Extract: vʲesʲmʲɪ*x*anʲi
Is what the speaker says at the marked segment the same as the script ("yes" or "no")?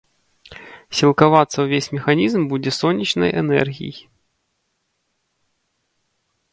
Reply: yes